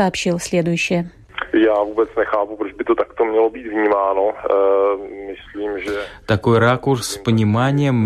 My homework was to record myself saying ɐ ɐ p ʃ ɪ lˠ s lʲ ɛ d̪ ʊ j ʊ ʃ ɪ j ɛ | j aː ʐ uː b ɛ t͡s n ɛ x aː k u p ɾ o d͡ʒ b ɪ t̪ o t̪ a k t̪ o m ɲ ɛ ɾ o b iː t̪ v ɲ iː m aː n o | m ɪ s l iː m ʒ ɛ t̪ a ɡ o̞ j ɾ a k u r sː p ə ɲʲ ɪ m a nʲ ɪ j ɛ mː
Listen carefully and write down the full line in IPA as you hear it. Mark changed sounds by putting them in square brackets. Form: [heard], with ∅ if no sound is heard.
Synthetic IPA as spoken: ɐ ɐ p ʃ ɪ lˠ s lʲ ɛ d̪ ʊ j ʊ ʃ ɪ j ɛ | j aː [v] uː b ɛ t͡s n ɛ x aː [p] u p ɾ o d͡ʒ b ɪ t̪ o t̪ a k t̪ o m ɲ ɛ [l] o b iː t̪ v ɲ iː m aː n o | m ɪ s l iː m ʒ ɛ t̪ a [k] o̞ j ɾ a k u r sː p ə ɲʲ ɪ m a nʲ ɪ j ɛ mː